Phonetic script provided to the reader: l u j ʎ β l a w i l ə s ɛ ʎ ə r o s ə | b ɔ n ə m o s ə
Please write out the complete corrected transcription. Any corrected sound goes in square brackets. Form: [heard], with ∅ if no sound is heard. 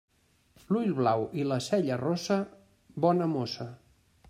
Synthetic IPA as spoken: l u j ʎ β l a w i l ə s ɛ ʎ ə r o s ə | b ɔ n ə m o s ə

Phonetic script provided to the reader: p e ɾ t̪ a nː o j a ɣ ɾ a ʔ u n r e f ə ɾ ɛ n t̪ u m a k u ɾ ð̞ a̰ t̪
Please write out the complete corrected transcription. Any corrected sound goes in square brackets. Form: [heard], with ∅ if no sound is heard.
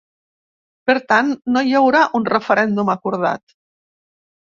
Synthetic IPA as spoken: p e ɾ t̪ a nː o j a [w] ɾ a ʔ u n r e f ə ɾ ɛ n [d̪] u m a k u ɾ ð̞ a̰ t̪

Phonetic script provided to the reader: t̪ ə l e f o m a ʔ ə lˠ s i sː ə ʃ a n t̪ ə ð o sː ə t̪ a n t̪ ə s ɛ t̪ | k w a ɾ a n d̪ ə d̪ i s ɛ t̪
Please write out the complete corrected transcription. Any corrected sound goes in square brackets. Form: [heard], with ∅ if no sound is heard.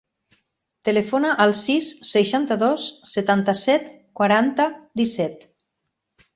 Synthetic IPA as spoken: t̪ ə l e f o [n] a ʔ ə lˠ s i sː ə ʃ a n t̪ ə ð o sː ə t̪ a n t̪ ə s ɛ t̪ | k w a ɾ a n [t̪] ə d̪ i s ɛ t̪

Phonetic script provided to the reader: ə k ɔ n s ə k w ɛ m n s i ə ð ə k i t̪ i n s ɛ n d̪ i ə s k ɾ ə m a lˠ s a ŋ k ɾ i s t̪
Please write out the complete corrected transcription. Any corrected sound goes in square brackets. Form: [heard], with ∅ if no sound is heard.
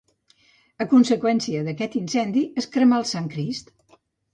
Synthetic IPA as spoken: ə k [u] n s ə k w ɛ [∅] n s i ə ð ə k [ɛ] t̪ i n s ɛ n d̪ i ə s k ɾ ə m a lˠ s a ŋ k ɾ i s t̪

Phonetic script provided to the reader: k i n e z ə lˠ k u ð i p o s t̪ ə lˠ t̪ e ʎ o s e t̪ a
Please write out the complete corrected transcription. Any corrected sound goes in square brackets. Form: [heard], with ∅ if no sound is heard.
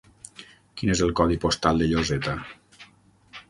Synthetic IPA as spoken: k i n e z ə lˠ k [ɔ] ð i p o s t̪ [a] lˠ [d̪] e ʎ o [z] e t̪ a

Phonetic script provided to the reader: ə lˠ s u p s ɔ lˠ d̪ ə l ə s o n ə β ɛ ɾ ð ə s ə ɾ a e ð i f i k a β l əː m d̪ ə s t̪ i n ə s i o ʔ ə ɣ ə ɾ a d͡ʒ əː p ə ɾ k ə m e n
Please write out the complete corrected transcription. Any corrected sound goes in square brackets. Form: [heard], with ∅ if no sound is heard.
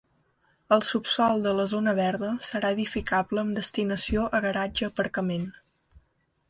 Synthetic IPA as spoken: ə lˠ s u p s ɔ lˠ d̪ ə l ə [z] o n ə β ɛ ɾ ð ə s ə ɾ a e ð i f i k a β l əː m d̪ ə s t̪ i n ə s i o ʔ ə ɣ ə ɾ a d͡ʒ əː p ə ɾ k ə m e n

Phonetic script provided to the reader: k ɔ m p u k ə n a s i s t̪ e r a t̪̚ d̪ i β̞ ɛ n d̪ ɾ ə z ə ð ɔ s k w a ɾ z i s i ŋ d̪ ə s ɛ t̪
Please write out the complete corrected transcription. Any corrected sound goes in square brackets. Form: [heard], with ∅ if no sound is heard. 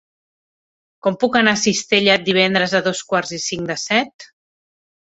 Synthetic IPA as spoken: k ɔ m p u k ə n a s i s t̪ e [ʎ] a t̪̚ d̪ i β̞ ɛ n d̪ ɾ ə z ə ð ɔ s k w a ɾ z i s i ŋ d̪ ə s ɛ t̪

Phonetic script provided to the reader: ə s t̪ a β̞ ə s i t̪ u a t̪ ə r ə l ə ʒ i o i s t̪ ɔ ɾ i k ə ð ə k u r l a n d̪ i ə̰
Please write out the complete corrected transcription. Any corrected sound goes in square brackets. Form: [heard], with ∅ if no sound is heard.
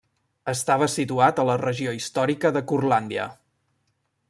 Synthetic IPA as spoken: ə s t̪ a β̞ ə s i t̪ u a t̪ ə [l] ə [r] ə ʒ i o i s t̪ ɔ ɾ i k ə ð ə k u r l a n d̪ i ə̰

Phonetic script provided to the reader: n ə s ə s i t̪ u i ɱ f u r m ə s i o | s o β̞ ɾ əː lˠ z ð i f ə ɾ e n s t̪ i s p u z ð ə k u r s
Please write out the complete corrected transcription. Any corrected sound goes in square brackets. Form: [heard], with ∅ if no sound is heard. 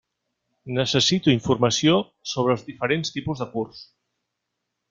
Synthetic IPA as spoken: n ə s ə s i t̪ u i ɱ f u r m ə s i o | s o β̞ ɾ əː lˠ z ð i f ə ɾ e n s t̪ i [∅] p u z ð ə k u r s

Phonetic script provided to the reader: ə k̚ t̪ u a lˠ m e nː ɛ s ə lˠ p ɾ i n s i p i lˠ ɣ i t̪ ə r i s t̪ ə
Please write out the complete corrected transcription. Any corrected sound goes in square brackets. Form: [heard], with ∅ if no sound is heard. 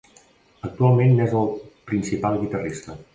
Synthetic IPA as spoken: ə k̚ t̪ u a lˠ m e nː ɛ [z] ə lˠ p ɾ i n s i p [a] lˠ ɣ i t̪ ə r i s t̪ ə

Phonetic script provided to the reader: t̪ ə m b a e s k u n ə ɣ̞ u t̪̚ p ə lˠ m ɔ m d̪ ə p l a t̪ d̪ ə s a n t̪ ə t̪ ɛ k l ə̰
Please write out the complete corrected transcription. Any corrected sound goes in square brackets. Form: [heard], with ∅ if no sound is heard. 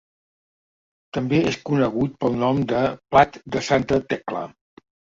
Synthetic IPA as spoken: t̪ ə m b [e] e s k u n ə ɣ̞ u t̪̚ p ə lˠ [n] ɔ m d̪ ə p l a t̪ d̪ ə s a n t̪ ə t̪ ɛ k l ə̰

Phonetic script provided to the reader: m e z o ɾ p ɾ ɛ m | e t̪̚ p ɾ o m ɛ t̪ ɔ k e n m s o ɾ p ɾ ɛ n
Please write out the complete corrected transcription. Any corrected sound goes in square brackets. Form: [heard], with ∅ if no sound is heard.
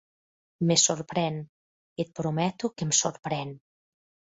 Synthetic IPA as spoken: m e [s] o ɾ p ɾ ɛ [n] | e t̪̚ p ɾ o m ɛ t̪ [u] k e [∅] m s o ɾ p ɾ ɛ n

